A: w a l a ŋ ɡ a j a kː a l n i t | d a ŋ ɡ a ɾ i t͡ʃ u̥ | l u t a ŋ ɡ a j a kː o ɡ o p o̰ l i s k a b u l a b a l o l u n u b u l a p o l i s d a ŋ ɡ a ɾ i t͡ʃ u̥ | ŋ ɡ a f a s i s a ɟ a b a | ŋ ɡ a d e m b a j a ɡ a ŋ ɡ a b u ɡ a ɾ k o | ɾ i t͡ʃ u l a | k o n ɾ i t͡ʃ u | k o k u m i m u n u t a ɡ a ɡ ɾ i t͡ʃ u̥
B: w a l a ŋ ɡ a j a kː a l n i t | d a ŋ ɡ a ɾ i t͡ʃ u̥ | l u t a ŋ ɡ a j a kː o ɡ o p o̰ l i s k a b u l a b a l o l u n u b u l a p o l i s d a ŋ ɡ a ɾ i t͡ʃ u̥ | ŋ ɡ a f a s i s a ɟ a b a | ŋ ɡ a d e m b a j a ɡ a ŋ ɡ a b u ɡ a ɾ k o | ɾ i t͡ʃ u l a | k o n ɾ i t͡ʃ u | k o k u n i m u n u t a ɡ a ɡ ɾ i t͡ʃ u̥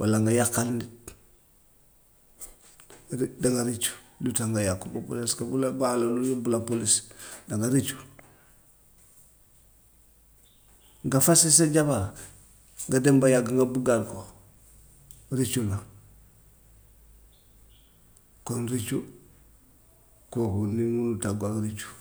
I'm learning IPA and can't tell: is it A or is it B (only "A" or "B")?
B